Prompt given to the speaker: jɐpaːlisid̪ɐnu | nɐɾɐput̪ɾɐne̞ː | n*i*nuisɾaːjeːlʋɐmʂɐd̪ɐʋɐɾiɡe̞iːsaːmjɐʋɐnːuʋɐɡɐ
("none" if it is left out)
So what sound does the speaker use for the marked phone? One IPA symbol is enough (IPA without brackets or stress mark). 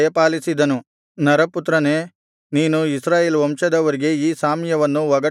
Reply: iː